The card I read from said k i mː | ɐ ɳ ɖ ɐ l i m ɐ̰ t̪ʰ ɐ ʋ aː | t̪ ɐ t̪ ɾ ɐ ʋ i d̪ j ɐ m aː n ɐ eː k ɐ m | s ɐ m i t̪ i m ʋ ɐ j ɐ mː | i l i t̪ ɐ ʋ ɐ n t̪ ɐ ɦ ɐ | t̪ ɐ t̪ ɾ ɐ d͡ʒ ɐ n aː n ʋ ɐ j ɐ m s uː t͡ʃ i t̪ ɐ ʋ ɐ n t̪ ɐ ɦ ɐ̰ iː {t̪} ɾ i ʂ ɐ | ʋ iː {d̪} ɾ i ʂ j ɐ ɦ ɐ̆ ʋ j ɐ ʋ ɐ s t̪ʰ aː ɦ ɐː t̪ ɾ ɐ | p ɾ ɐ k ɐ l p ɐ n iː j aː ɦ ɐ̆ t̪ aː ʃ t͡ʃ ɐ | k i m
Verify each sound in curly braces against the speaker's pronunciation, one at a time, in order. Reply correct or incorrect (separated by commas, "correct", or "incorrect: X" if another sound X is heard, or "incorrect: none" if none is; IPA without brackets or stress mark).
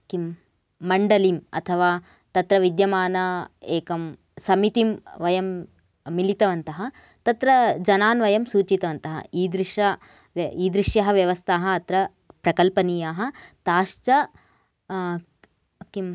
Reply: incorrect: d̪, correct